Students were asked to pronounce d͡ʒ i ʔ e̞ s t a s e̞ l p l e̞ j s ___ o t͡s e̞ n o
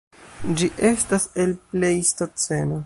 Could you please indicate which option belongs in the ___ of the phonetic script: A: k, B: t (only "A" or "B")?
B